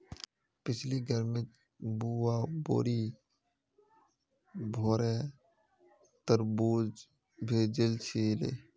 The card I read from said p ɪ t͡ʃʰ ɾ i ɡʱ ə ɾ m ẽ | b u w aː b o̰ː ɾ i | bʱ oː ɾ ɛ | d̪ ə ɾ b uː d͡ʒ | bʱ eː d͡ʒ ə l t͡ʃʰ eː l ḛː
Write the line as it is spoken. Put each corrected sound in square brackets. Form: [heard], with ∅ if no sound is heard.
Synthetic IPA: p ɪ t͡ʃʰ [l] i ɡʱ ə ɾ m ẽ | b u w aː b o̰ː ɾ i | bʱ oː ɾ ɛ | [t̪] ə ɾ b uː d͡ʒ | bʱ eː d͡ʒ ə l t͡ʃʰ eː l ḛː